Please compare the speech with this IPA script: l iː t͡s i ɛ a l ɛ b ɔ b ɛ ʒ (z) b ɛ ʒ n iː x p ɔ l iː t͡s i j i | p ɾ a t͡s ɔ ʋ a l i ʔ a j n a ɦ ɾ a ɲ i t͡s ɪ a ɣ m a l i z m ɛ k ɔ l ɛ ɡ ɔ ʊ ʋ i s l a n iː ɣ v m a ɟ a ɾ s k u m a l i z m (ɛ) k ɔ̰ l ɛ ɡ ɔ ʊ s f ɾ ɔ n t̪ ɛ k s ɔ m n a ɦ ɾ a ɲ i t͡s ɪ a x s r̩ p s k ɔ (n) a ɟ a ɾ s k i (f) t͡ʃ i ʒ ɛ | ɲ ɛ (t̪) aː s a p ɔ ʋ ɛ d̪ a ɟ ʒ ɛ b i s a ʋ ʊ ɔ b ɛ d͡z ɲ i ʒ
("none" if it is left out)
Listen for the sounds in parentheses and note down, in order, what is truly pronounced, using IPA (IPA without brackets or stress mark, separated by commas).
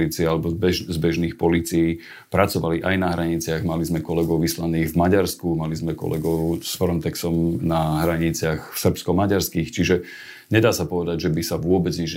z, ɛ, m, x, d̪